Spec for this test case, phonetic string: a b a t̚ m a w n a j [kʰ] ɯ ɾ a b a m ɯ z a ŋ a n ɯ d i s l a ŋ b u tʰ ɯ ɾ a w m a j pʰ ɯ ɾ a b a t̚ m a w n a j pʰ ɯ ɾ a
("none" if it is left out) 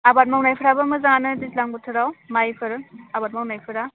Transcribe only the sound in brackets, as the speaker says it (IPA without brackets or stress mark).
pʰ